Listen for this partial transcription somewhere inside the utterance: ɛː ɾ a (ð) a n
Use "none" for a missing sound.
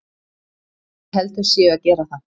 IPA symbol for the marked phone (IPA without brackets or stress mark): θ